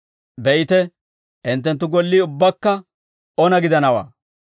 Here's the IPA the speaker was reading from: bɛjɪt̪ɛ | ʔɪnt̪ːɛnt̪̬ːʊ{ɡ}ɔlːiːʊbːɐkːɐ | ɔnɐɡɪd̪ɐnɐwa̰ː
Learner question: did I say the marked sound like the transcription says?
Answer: yes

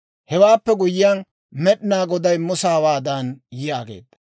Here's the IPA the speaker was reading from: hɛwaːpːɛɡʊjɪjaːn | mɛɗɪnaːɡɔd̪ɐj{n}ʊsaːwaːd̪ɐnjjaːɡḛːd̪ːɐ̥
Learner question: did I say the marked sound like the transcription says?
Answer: no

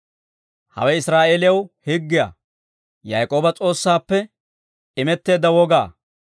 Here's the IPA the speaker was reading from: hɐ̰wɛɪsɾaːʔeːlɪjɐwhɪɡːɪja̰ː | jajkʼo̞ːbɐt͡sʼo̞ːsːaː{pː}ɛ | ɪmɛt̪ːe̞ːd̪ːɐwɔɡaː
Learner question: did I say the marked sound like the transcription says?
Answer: yes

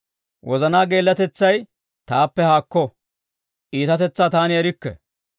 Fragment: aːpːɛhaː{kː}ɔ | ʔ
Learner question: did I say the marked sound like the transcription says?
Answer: yes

